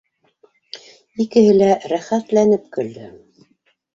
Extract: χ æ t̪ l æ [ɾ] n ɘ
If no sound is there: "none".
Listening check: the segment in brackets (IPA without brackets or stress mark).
none